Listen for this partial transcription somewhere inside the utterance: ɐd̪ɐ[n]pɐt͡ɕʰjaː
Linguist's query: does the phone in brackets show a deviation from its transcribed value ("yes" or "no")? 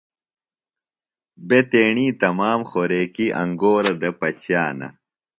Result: yes